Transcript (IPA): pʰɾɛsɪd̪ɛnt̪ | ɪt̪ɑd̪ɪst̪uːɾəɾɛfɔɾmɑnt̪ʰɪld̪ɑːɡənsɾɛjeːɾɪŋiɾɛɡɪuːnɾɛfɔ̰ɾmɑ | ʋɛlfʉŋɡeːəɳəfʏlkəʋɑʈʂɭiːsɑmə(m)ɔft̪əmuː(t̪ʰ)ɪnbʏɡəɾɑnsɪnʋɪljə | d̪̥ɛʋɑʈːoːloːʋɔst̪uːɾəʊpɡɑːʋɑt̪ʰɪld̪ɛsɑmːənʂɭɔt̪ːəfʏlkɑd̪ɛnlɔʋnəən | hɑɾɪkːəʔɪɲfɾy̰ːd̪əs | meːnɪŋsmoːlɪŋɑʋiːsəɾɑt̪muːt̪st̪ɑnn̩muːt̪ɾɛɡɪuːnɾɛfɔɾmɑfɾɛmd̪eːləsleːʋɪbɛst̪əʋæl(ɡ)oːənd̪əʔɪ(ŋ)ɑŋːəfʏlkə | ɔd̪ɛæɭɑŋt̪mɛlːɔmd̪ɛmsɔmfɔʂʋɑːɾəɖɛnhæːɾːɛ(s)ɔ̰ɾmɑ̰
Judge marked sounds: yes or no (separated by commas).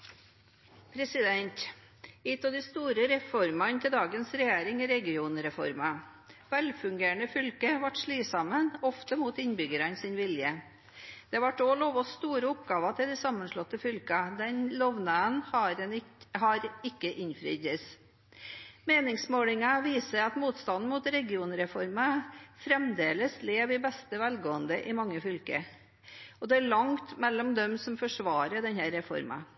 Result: no, no, yes, no, no